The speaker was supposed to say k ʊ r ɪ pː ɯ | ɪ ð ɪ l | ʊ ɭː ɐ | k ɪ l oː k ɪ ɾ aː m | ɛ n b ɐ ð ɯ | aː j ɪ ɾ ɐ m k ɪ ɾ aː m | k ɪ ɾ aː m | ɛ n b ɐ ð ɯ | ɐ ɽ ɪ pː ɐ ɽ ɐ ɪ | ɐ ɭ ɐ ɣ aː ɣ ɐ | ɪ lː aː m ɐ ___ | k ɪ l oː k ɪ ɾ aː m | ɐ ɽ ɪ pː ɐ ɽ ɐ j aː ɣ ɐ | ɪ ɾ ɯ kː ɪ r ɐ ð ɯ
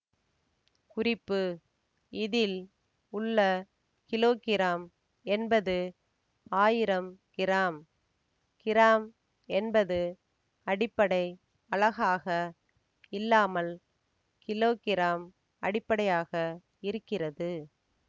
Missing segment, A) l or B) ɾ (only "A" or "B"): A